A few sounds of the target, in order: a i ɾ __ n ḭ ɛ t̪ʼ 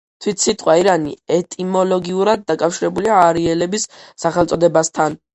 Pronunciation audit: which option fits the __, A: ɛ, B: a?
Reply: B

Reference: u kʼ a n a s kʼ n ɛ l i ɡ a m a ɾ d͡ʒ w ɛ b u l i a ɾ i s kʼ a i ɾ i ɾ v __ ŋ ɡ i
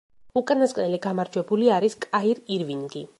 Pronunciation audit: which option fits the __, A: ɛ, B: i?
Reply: B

